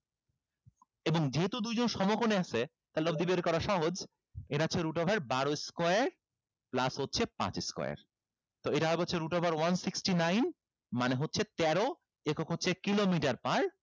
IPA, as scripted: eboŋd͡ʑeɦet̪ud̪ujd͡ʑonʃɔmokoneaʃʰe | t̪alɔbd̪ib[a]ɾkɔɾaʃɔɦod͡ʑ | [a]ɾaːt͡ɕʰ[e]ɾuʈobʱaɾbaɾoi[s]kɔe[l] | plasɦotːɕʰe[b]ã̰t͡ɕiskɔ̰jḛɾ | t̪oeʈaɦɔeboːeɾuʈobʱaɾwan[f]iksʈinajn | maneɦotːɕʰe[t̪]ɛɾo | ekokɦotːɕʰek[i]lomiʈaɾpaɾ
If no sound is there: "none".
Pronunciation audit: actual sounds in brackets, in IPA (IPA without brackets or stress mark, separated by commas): e, e, e, s, ɾ, p, s, t̪, i